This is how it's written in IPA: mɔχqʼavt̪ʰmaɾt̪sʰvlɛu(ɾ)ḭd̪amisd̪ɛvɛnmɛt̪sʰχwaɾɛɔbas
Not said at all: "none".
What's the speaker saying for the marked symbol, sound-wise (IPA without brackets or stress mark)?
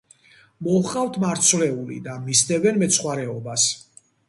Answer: l